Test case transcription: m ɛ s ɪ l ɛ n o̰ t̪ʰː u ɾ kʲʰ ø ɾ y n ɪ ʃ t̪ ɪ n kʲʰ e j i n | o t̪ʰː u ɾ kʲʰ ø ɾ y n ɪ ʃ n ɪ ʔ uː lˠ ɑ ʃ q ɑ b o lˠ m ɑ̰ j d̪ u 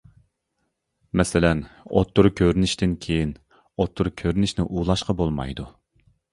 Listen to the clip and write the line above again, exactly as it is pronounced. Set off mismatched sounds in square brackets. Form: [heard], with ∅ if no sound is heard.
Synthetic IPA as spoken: m ɛ s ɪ l ɛ n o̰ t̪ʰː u ɾ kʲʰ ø ɾ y n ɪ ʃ t̪ ɪ n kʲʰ e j i n | o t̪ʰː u ɾ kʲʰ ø ɾ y n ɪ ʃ n ɪ ʔ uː lˠ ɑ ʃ q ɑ b o lˠ m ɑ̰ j d̪ u